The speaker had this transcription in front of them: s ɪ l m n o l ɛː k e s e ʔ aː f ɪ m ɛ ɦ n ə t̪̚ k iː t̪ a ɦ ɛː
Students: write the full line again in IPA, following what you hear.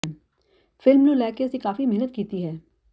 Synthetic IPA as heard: f ɪ l m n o l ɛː k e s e k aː f i m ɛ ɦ n ə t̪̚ k iː t̪ i ɦ ɛː